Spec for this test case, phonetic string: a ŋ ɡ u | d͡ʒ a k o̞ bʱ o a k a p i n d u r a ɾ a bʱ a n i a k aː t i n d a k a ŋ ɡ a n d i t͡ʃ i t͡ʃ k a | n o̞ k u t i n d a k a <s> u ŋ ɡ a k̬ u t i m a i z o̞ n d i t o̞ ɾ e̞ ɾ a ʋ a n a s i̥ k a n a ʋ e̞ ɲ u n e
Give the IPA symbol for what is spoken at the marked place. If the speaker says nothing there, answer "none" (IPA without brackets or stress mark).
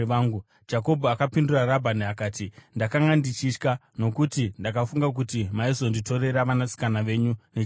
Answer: f